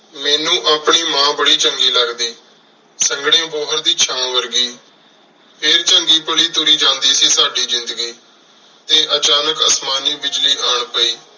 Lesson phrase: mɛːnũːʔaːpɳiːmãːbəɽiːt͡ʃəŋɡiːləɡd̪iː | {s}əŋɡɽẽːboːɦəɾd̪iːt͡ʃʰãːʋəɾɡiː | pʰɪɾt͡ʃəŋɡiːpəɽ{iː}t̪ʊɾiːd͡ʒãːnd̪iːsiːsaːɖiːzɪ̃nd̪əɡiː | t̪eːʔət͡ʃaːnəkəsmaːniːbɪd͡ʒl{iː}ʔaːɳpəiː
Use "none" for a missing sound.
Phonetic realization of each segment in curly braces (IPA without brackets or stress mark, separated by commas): s, iː, iː